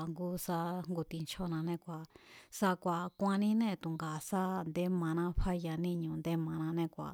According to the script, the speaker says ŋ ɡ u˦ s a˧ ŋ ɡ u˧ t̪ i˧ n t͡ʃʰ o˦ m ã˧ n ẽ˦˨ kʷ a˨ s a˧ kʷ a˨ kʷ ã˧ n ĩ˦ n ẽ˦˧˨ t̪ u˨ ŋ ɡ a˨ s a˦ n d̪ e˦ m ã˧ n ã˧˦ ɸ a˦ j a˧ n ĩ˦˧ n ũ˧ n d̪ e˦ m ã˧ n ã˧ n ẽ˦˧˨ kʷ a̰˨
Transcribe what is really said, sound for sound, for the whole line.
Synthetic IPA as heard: ŋ ɡ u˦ s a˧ ŋ ɡ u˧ t̪ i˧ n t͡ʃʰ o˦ n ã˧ n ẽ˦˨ kʷ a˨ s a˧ kʷ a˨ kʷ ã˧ n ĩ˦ n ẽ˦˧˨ t̪ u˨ ŋ ɡ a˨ s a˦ n d̪ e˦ m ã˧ n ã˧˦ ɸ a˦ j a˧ n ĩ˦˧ ɲ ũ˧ n d̪ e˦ m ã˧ n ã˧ n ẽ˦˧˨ kʷ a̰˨